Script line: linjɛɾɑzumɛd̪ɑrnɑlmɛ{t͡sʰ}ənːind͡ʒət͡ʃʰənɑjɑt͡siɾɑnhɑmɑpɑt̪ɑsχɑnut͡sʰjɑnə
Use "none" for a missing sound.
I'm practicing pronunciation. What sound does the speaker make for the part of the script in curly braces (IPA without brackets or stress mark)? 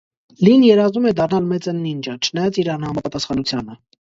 t͡s